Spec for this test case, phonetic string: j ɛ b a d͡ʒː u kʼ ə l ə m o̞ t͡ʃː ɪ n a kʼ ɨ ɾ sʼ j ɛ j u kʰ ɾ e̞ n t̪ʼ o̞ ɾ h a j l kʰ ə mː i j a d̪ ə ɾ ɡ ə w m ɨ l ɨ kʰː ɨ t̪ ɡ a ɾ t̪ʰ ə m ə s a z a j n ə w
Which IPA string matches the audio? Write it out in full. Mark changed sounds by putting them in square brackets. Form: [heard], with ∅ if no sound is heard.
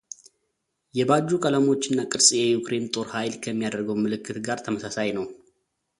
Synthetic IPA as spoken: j ɛ b a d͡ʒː u kʼ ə l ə m o̞ t͡ʃː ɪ [nː] a kʼ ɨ ɾ sʼ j ɛ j u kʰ ɾ e̞ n t̪ʼ o̞ ɾ h a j l kʰ ə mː i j a d̪ ə ɾ ɡ ə w m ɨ l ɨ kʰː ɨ t̪ ɡ a ɾ t̪ʰ ə m ə s a [s] a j n ə w